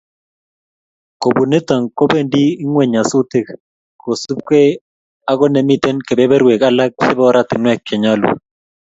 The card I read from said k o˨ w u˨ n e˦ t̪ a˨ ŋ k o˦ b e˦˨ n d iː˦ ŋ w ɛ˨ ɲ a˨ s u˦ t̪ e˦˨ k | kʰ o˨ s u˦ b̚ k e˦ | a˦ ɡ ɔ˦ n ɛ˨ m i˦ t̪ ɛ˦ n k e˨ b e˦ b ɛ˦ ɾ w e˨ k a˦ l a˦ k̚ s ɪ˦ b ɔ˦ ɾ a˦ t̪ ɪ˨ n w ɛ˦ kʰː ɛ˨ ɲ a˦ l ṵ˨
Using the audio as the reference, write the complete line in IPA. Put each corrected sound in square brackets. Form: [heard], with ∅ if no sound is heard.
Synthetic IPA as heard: k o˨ [b] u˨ n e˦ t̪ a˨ ŋ k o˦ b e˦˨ n d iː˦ ŋ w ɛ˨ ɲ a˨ s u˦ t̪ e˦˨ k | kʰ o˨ s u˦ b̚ k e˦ | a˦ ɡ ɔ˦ n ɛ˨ m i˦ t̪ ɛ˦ n k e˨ b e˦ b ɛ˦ ɾ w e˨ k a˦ l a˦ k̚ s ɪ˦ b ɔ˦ ɾ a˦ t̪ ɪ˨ n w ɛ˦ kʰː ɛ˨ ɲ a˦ l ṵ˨

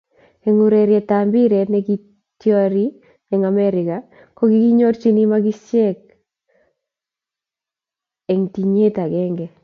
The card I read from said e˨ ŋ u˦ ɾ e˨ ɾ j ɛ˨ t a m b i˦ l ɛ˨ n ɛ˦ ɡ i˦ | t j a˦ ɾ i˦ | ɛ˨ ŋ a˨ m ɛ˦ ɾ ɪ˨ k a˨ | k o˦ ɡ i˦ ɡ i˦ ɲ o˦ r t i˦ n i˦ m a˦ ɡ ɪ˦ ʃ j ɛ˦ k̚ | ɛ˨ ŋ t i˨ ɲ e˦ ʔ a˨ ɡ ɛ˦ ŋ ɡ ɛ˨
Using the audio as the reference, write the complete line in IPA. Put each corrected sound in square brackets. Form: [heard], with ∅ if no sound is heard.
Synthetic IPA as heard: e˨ ŋ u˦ ɾ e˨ ɾ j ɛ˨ t a m b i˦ [ɾ] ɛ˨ n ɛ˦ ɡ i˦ | t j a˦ ɾ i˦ | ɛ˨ ŋ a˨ m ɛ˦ ɾ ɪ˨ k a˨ | k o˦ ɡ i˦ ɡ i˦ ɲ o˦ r [t͡ʃ] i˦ n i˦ m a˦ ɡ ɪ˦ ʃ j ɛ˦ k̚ | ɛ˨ ŋ t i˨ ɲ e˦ [t] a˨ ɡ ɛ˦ ŋ ɡ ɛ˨

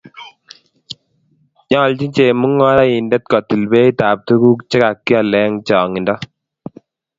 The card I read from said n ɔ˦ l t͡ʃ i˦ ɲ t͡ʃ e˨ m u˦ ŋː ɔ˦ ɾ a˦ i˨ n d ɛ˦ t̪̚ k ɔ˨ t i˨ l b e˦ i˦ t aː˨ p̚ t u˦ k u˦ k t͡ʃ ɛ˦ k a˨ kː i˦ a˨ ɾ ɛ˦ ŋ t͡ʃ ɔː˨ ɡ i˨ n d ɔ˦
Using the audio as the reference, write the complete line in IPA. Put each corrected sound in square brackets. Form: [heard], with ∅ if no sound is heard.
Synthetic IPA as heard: [ɲ] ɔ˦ l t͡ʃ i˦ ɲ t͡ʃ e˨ m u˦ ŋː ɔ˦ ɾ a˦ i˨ n d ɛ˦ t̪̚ k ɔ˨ t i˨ l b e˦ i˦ t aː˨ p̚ t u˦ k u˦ k t͡ʃ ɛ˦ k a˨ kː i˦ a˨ [l] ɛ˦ ŋ t͡ʃ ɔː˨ [ŋ] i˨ n d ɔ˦

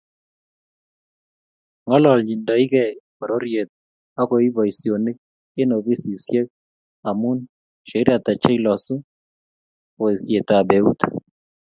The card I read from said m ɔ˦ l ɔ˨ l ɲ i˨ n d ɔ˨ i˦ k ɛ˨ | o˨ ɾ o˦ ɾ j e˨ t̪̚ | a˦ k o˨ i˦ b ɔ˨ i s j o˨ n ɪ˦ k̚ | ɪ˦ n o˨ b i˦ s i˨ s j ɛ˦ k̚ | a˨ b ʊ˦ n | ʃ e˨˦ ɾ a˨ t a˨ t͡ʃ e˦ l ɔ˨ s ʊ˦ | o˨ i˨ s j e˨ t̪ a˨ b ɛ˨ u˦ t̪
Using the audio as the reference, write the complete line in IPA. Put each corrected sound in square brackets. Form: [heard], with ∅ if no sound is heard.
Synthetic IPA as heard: [ŋ] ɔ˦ l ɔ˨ l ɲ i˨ n d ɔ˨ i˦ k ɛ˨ | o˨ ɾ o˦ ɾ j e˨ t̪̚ | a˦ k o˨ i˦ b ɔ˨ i s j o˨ n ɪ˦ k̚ | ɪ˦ n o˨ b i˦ s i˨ s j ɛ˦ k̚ | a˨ [m] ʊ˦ n | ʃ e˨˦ ɾ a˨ t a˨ t͡ʃ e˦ l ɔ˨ s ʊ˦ | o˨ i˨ s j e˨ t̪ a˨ b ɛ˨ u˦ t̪

